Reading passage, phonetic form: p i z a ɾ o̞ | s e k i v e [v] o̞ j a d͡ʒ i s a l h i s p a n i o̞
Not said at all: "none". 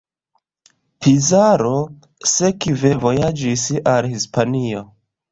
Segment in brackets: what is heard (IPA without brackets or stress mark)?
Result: v